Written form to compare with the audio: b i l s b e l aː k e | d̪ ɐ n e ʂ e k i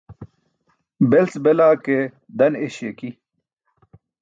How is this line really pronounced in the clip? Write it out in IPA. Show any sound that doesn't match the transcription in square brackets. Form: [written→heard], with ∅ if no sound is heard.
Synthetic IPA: b [i→e] l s b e l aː k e | d̪ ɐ n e [ʂ→ɕ] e k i